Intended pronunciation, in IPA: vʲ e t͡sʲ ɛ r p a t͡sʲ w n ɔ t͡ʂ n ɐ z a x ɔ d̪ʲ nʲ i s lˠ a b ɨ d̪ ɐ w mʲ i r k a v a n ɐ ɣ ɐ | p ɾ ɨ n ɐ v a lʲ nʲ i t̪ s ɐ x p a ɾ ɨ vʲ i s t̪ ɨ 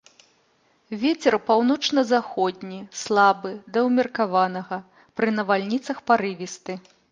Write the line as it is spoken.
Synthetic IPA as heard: vʲ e t͡sʲ ɛ r p a w n ɔ t͡ʂ n ɐ z a x ɔ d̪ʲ nʲ i s lˠ a b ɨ d̪ ɐ w mʲ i r k a v a n ɐ ɣ ɐ | p ɾ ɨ n ɐ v a lʲ nʲ i t̪ s ɐ x p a ɾ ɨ vʲ i s t̪ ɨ